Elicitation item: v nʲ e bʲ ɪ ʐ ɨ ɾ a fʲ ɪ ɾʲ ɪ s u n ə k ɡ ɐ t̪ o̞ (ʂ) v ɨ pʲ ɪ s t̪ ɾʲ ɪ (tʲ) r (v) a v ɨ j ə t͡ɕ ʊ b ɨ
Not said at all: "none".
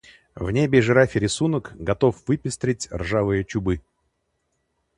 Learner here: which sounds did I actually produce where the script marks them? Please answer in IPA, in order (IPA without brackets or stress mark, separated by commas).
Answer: f, tʲ, ʐ